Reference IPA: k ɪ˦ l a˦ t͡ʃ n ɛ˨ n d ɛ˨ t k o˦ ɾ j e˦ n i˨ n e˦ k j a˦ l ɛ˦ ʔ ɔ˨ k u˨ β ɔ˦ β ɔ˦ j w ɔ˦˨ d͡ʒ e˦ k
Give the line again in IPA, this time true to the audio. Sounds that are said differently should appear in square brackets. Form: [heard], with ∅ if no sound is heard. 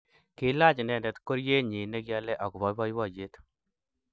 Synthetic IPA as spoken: k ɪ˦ l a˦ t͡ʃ n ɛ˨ n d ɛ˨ t k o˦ ɾ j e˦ [ɲ] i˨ n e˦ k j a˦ l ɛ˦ ʔ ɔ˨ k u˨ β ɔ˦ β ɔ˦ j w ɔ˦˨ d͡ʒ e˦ [t]